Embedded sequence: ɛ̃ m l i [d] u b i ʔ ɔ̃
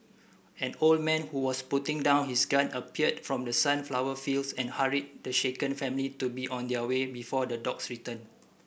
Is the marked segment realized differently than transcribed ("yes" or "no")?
yes